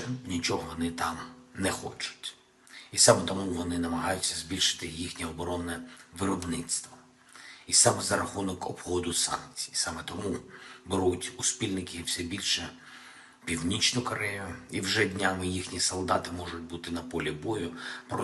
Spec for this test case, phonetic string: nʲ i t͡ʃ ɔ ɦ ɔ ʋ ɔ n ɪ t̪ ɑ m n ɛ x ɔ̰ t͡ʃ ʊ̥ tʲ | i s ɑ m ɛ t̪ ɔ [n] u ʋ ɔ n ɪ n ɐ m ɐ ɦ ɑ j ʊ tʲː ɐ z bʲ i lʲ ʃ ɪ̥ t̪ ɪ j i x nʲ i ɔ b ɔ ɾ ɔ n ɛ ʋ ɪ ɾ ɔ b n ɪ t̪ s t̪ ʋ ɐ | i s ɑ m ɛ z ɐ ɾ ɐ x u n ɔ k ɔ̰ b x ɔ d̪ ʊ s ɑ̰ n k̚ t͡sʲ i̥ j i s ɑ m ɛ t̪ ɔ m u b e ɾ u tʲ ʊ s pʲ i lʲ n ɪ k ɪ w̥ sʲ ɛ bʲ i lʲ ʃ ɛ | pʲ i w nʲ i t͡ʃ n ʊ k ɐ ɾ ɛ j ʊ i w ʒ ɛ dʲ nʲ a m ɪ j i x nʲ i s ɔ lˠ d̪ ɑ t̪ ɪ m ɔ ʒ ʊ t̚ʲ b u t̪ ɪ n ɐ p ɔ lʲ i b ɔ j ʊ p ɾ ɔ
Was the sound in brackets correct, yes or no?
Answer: no